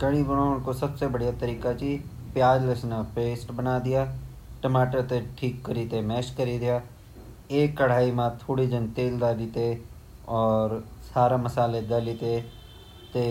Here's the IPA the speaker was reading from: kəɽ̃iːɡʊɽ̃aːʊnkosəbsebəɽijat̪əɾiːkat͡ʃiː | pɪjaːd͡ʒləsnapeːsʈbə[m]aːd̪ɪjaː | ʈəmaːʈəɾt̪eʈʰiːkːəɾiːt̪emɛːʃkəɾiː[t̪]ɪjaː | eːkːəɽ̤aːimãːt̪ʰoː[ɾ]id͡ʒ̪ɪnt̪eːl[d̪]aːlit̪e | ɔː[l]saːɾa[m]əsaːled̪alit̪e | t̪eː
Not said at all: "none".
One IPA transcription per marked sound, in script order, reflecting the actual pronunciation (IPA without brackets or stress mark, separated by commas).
n, d̪, ɽ, d̪, ɾ, m